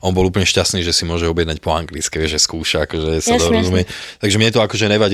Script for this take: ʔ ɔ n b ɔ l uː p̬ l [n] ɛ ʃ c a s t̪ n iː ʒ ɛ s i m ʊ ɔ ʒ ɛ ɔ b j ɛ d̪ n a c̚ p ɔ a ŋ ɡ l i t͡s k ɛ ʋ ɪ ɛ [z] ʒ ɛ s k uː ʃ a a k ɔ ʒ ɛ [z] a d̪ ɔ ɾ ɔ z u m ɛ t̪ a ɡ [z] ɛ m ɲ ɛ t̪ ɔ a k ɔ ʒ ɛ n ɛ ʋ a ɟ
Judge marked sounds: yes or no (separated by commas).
no, no, no, no